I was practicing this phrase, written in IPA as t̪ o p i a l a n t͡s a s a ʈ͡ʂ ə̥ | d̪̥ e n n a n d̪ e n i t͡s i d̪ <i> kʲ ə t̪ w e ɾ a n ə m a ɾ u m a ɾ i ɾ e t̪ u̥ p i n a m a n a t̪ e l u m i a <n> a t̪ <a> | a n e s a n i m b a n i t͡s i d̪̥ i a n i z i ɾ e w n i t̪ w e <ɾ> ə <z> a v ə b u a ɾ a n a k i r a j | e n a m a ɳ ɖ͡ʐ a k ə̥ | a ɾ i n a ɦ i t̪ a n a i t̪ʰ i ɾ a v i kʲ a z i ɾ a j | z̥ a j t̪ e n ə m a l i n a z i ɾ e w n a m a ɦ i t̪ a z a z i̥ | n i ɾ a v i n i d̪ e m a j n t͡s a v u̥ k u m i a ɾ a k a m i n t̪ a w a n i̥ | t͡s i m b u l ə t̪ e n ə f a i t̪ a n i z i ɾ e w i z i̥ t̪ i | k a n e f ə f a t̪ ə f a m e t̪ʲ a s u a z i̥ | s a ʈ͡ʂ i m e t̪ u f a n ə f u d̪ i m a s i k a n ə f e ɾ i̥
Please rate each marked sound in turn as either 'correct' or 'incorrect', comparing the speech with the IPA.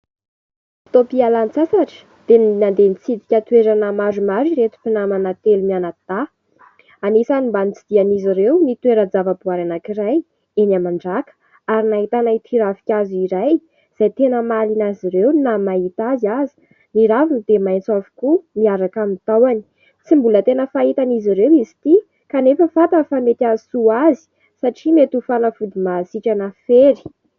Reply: correct, correct, correct, correct, incorrect: d͡z

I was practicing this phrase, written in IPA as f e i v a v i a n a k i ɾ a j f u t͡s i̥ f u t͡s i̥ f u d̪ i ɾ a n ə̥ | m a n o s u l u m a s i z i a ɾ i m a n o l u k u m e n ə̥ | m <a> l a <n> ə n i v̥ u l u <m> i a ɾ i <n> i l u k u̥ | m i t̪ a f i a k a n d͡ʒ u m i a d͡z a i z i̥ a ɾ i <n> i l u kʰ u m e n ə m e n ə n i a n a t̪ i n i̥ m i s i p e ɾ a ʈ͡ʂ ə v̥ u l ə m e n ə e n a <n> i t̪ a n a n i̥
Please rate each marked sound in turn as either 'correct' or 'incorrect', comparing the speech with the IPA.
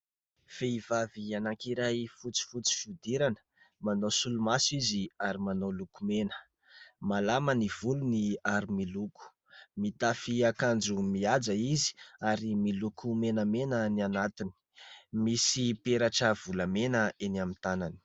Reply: correct, incorrect: m, incorrect: n, incorrect: m, incorrect: m, incorrect: m

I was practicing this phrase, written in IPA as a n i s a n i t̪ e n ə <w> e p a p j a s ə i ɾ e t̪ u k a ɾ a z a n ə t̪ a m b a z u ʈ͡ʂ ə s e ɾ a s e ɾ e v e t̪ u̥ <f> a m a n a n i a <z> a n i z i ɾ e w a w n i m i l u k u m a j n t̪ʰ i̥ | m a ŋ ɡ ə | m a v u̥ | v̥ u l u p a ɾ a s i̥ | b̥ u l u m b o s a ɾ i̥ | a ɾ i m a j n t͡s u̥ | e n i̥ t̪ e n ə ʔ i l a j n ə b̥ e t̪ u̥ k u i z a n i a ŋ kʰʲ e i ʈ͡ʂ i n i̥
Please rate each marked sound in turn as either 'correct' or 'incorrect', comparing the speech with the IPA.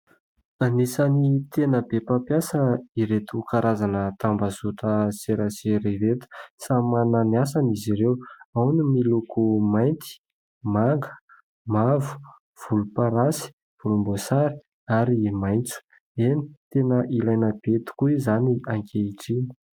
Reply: incorrect: b, incorrect: s, incorrect: s

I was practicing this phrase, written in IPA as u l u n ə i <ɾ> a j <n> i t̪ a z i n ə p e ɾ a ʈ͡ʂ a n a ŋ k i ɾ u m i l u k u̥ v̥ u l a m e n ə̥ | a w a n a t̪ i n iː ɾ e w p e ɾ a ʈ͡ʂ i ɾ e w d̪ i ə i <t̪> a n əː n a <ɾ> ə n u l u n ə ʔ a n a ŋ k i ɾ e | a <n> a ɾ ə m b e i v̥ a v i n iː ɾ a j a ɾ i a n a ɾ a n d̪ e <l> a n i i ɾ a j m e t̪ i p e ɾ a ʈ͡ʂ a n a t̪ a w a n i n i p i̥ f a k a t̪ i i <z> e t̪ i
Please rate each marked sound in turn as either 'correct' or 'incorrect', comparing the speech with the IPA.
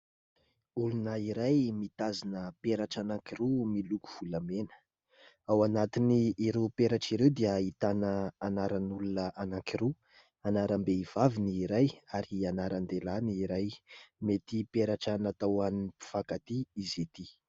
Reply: correct, incorrect: m, correct, correct, correct, correct, correct

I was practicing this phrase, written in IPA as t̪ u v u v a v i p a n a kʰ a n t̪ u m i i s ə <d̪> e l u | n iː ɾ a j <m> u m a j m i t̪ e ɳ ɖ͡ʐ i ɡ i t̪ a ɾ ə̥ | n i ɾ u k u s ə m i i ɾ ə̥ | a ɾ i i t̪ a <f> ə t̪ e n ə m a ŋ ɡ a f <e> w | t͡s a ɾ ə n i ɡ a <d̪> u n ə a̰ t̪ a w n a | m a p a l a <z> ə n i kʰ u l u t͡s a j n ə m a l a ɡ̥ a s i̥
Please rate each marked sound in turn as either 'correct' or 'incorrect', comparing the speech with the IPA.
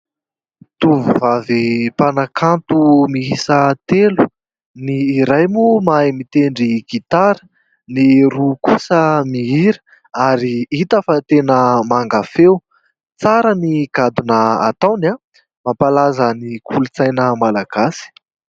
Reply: incorrect: t̪, correct, correct, correct, correct, correct

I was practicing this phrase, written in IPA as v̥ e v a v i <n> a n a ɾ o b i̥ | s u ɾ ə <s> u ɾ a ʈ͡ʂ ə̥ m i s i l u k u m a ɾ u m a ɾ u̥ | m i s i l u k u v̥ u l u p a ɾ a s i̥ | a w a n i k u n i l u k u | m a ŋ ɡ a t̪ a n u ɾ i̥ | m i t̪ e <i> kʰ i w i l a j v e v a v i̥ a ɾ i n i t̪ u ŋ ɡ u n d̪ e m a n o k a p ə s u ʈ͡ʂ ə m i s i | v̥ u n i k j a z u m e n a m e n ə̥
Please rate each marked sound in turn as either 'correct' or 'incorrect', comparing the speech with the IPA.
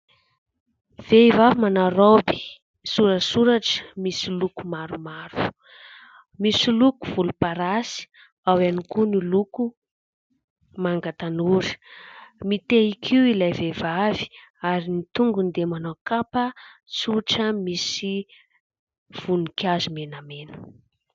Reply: incorrect: m, correct, correct

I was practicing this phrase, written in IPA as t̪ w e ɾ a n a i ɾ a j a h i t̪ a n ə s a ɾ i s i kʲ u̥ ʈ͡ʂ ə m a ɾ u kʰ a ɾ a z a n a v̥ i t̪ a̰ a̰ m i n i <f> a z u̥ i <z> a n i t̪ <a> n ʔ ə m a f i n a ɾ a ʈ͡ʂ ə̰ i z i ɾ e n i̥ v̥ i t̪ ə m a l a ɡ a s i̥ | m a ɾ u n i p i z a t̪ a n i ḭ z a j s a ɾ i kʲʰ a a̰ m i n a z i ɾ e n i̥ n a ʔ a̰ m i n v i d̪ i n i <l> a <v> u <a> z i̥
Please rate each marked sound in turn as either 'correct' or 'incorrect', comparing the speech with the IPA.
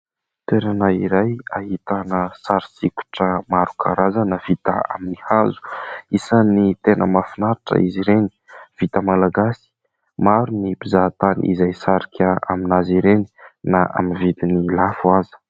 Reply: incorrect: h, incorrect: s, incorrect: e, correct, incorrect: f, correct

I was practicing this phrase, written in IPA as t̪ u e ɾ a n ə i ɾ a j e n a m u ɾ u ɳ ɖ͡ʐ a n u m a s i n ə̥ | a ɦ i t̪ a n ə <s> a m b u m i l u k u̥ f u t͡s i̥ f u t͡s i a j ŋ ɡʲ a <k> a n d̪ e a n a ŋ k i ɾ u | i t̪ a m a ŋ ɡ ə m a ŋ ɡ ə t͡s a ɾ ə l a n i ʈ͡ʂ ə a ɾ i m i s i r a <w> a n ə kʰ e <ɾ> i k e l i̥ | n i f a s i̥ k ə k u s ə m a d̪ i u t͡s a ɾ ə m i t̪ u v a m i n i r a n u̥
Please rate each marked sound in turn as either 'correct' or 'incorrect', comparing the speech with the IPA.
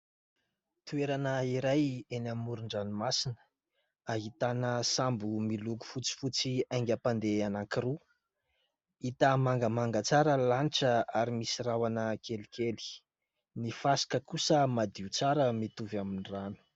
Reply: correct, incorrect: p, correct, incorrect: l

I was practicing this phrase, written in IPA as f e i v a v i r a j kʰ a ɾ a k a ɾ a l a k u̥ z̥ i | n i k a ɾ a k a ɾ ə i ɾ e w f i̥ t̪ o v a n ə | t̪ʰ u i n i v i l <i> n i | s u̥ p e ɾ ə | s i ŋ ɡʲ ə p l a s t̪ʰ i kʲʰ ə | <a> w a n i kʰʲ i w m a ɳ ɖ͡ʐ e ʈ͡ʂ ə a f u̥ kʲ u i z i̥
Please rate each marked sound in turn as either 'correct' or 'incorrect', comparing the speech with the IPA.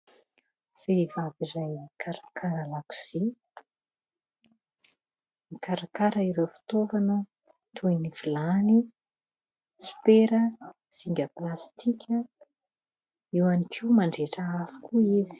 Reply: incorrect: a, incorrect: i

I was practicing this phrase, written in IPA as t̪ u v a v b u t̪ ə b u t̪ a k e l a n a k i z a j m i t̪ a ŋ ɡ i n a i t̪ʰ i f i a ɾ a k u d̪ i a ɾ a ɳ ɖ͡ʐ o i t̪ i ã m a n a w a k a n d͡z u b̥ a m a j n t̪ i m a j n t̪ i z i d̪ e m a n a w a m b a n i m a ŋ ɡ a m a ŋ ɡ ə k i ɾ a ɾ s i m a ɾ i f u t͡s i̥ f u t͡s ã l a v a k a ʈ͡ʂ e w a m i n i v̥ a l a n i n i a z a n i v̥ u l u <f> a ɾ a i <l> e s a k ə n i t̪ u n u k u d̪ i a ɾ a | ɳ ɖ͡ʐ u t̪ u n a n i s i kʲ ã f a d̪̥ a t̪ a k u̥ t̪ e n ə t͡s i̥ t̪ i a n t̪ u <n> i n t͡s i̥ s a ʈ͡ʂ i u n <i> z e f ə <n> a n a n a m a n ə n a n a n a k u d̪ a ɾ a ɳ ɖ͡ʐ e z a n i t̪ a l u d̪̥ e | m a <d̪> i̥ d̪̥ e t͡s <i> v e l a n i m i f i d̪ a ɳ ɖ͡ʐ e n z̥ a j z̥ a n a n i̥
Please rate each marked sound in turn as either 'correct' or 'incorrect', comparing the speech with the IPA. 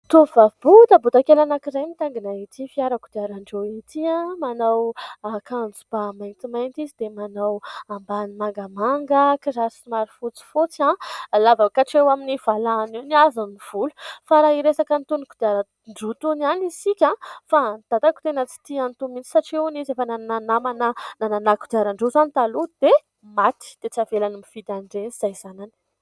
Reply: correct, incorrect: ɾ, incorrect: m, correct, correct, incorrect: t̪, incorrect: a

